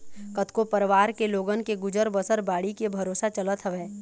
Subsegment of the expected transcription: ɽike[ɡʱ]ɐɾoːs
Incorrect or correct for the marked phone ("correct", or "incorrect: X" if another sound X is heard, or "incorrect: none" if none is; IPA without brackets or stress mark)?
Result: incorrect: bʱ